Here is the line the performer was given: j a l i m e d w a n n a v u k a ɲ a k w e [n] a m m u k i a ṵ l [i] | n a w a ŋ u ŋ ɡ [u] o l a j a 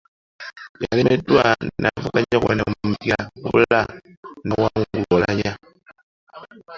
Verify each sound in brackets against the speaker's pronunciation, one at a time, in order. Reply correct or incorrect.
correct, incorrect: a, correct

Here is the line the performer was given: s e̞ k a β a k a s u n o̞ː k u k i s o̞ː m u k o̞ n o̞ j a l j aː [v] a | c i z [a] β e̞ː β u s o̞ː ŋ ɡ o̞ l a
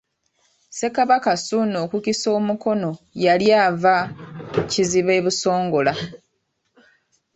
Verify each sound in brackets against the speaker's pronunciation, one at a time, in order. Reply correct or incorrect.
correct, incorrect: i

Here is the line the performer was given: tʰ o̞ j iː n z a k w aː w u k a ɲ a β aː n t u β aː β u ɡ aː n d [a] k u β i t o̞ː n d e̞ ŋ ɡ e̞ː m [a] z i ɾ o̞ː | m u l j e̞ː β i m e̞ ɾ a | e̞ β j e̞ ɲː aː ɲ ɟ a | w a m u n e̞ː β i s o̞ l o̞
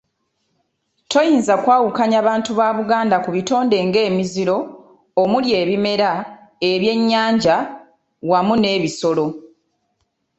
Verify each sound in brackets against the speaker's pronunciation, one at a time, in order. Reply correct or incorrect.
correct, incorrect: i

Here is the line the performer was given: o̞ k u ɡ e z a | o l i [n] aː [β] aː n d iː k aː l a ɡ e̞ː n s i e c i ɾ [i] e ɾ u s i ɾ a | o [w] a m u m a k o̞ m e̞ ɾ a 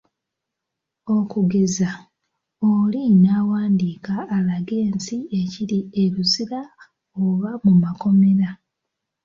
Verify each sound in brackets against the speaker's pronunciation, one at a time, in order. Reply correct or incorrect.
correct, incorrect: w, correct, incorrect: β

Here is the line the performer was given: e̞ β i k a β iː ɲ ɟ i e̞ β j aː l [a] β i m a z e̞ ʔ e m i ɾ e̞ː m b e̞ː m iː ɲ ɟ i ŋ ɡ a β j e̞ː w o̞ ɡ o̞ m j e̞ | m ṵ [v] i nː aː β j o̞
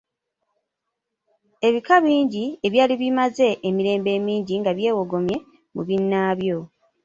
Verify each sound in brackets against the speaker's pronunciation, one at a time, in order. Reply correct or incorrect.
incorrect: i, incorrect: β

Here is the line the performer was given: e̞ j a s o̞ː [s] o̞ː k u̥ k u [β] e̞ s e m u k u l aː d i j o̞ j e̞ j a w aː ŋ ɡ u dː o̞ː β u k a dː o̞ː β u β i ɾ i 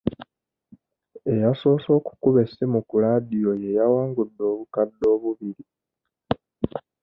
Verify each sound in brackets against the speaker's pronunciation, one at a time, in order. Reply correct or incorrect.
correct, correct

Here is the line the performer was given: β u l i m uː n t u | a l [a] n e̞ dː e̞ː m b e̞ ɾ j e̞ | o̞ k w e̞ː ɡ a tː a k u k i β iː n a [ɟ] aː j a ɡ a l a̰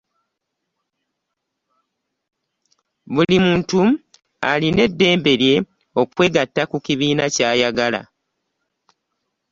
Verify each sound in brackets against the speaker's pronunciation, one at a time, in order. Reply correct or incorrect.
incorrect: i, incorrect: c

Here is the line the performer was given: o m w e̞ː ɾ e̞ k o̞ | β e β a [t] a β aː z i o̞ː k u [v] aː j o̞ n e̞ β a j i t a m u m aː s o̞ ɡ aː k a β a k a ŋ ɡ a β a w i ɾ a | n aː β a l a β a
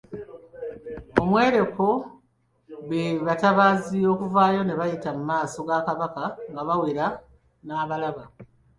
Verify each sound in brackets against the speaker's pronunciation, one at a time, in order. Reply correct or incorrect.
correct, correct

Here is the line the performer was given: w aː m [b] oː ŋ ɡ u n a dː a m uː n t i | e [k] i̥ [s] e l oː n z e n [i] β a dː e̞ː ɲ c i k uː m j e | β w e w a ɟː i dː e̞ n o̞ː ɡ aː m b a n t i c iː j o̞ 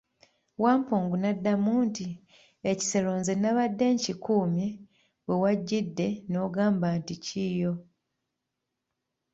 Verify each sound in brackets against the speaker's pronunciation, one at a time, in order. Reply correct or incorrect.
incorrect: p, incorrect: c, correct, incorrect: a

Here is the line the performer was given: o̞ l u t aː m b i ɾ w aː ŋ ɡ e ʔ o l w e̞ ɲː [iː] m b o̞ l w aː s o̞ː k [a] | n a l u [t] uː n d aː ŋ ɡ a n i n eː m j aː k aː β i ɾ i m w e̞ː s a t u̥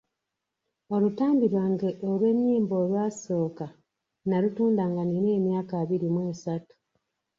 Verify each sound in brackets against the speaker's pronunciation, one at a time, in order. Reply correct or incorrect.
correct, correct, correct

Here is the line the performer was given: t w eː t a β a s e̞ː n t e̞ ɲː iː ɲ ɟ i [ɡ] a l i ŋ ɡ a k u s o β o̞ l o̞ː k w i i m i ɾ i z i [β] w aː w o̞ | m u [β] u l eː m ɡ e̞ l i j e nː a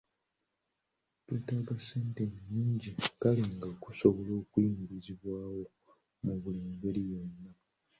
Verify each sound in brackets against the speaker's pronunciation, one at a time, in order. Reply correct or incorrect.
incorrect: k, correct, correct

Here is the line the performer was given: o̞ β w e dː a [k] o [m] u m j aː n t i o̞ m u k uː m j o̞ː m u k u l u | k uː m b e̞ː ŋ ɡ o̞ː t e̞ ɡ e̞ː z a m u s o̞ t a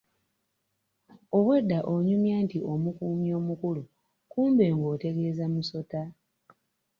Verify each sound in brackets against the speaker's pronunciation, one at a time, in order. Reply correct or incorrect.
incorrect: ʔ, incorrect: ɲ

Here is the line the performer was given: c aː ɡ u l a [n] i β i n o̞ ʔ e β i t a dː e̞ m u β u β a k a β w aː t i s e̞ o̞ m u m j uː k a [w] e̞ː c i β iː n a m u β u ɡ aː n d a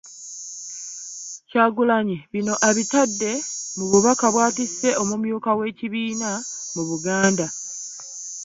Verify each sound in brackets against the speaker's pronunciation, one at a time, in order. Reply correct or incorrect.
incorrect: ɲ, correct

